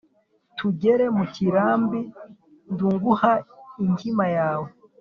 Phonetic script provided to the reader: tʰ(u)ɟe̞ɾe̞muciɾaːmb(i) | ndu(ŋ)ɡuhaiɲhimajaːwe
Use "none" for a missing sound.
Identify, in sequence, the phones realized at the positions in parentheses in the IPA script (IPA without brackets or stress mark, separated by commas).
u, i, ŋ